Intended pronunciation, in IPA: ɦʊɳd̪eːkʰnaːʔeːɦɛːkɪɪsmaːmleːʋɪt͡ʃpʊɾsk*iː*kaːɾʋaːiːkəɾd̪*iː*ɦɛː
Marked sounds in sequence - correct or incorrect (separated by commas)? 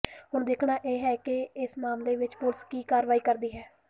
correct, correct